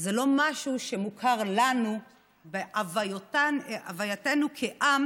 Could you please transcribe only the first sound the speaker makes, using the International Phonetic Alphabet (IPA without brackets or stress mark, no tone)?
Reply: z